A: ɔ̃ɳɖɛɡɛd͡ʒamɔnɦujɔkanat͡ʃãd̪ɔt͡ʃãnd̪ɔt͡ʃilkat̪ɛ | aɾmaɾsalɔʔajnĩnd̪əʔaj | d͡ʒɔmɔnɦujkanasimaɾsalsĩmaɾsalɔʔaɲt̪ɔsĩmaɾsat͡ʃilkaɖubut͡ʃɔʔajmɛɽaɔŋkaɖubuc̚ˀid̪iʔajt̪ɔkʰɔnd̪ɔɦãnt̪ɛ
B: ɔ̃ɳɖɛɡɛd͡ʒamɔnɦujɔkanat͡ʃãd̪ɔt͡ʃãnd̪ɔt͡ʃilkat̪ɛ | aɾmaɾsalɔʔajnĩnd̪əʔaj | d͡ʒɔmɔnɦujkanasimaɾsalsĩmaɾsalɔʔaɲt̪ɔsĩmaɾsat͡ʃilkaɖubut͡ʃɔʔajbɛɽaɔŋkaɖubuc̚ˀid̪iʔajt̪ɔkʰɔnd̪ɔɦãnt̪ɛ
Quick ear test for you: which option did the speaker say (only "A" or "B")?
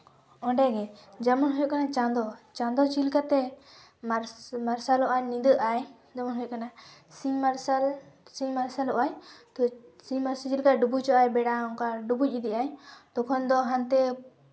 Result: B